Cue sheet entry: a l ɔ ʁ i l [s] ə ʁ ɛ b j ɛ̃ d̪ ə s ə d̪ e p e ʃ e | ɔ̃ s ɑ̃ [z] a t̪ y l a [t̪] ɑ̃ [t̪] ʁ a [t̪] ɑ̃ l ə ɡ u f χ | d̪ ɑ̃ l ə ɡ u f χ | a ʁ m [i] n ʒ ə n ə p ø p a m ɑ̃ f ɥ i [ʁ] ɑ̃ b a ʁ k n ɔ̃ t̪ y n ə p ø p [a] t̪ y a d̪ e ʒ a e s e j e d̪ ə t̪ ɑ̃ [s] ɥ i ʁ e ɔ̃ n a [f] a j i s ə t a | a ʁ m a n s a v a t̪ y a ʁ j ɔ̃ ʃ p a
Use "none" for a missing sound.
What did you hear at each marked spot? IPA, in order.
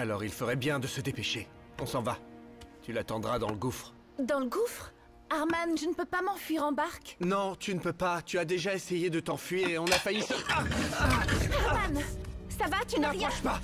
f, v, t̪, d̪, d̪, a, ʁ, a, f, f

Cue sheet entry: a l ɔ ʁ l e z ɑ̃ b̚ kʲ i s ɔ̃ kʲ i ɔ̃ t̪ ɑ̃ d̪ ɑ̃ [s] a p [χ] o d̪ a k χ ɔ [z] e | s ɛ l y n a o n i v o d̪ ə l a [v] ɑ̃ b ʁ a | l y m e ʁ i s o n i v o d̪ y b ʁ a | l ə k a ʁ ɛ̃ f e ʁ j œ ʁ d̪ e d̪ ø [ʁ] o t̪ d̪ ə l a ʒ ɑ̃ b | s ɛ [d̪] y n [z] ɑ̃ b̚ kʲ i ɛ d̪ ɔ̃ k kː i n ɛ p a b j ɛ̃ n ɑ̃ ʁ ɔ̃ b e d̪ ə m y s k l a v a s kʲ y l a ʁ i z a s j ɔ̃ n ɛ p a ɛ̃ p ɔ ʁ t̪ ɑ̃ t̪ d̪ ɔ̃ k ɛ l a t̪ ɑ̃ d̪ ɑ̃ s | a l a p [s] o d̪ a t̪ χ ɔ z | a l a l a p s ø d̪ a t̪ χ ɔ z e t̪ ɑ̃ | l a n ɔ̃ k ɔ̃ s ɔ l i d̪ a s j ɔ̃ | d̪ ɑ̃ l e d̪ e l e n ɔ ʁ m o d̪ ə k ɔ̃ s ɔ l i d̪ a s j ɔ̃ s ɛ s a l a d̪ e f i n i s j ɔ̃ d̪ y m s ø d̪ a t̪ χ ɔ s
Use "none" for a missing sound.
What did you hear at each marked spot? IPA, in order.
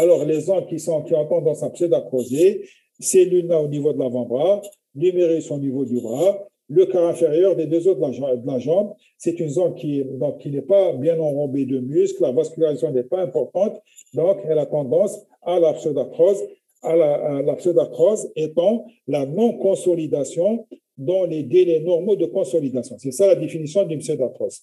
s, s, z, v, z, t̪, z, s

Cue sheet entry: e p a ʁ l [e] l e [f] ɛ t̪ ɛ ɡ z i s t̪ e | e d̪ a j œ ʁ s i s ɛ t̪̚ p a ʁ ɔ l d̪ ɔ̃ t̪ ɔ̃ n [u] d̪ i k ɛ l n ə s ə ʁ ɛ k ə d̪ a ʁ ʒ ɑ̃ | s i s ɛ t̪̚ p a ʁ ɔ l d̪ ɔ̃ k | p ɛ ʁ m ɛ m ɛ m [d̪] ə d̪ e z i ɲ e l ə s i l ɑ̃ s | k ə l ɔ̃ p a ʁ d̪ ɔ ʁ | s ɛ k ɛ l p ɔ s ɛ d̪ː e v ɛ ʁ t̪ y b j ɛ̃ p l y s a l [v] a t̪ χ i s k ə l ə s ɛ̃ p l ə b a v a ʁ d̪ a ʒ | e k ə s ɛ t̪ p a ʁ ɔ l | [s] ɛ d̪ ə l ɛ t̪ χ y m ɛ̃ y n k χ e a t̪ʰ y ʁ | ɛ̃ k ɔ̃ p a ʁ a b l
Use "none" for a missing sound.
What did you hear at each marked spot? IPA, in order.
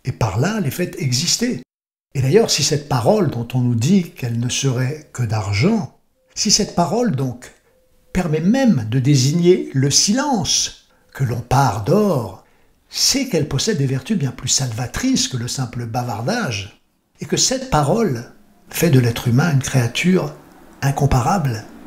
a, f, u, d̪, v, f

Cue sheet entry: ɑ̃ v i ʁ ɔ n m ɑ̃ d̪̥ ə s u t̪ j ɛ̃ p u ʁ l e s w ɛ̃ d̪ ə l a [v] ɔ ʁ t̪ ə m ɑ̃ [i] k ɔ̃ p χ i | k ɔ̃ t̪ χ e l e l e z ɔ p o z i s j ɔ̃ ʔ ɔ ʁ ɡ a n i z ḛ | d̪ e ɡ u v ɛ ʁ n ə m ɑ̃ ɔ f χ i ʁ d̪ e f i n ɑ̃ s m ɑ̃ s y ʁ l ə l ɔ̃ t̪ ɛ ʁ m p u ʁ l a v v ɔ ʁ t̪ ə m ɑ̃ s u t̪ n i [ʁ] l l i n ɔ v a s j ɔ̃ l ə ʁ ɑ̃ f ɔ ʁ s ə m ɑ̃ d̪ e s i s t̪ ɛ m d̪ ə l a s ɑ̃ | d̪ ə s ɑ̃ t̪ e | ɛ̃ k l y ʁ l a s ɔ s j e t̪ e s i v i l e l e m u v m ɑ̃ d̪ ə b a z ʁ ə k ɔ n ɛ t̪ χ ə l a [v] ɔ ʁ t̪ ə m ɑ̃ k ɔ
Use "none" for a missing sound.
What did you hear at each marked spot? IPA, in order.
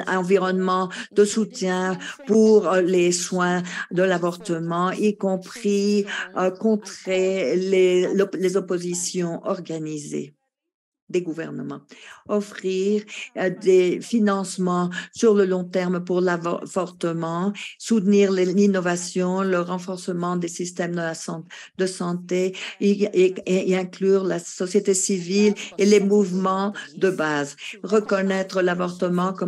v, i, ʁ, v

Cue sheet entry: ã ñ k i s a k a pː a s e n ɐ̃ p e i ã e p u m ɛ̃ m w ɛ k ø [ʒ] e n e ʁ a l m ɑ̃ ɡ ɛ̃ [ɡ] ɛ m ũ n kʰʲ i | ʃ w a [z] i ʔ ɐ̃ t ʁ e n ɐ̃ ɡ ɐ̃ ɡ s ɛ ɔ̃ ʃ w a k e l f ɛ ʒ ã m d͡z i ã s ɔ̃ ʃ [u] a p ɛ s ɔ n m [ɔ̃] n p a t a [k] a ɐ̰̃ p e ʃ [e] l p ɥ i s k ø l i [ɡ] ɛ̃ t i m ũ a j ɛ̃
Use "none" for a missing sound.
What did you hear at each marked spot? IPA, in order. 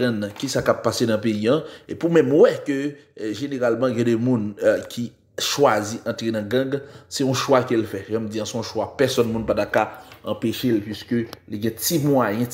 ʒ, d, z, w, ũ, k, e, ɡ

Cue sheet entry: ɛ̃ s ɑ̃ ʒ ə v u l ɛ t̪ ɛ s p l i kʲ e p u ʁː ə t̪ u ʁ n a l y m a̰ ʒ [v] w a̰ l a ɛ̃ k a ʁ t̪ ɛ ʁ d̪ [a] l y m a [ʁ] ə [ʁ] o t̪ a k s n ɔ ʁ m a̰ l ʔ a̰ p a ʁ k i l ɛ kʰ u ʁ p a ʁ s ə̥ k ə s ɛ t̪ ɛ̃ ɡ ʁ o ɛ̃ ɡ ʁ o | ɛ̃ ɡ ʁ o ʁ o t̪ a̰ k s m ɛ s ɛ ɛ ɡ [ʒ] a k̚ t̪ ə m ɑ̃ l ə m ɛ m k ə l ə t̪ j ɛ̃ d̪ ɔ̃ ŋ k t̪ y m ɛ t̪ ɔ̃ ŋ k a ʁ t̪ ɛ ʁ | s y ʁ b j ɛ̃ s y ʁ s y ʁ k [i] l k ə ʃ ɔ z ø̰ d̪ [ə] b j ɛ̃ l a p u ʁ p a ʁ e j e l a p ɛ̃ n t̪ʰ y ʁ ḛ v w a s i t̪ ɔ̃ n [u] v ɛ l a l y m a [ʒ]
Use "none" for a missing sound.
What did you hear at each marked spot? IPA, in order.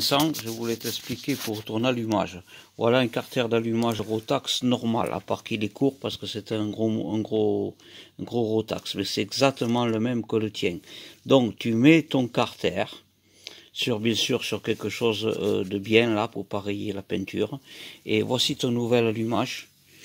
v, a, ʒ, ʁ, z, ɛ, ə, u, ʒ

